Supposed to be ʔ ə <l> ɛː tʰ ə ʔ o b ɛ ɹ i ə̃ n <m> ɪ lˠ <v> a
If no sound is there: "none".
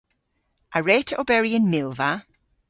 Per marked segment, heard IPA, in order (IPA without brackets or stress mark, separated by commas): ɹ, m, v